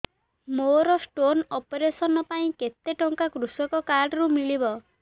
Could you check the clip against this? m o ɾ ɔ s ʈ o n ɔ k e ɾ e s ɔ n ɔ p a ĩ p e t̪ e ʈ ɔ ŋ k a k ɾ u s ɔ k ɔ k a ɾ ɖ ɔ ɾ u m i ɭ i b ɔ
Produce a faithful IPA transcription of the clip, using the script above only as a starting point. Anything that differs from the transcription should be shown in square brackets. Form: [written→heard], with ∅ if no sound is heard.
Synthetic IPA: m o ɾ ɔ s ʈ o n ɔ [k→p] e ɾ e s ɔ n ɔ p a ĩ [p→k] e t̪ e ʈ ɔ ŋ k a k ɾ u s ɔ k ɔ k a ɾ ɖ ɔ ɾ u m i ɭ i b ɔ